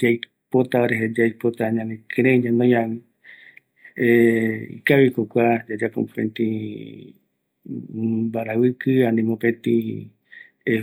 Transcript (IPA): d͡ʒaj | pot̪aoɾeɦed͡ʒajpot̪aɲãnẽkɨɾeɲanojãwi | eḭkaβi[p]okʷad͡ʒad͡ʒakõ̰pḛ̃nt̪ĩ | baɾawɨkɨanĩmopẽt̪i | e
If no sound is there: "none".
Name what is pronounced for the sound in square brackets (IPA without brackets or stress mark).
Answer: k